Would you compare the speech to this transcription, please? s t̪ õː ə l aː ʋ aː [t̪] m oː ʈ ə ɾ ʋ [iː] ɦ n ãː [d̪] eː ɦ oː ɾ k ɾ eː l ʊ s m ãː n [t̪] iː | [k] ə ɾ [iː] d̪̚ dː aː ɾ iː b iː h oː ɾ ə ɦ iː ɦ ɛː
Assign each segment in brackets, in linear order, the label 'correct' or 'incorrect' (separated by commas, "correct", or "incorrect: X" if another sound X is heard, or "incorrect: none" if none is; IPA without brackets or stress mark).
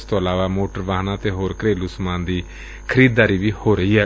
incorrect: none, incorrect: aː, incorrect: t̪, incorrect: d̪, incorrect: kʰ, correct